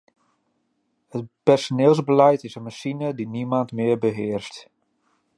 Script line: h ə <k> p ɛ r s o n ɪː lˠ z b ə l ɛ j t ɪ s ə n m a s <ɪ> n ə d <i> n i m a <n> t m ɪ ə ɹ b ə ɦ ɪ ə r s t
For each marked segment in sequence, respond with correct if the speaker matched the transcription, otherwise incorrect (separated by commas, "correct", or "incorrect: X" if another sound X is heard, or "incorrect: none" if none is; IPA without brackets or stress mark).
incorrect: t, incorrect: i, correct, correct